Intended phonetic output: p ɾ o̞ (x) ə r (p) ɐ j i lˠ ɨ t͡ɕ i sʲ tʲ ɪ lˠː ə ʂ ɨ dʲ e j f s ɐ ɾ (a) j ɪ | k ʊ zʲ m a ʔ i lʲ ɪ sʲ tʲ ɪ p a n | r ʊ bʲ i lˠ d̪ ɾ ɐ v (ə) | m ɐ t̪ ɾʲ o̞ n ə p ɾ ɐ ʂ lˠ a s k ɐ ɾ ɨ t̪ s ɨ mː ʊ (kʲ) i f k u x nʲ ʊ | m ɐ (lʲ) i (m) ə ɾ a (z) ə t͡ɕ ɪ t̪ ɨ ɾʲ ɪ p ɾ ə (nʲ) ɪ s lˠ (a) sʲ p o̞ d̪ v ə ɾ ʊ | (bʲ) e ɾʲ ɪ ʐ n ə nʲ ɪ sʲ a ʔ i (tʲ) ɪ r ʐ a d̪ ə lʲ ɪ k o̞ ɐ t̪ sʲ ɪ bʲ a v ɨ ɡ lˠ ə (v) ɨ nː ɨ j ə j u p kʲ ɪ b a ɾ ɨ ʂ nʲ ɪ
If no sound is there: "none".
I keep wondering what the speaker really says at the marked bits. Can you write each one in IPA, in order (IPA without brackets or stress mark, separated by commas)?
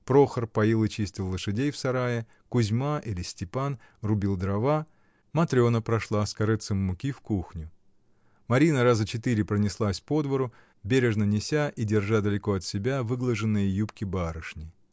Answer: x, p, a, a, kʲ, ɾʲ, n, z, nʲ, a, bʲ, dʲ, ʐ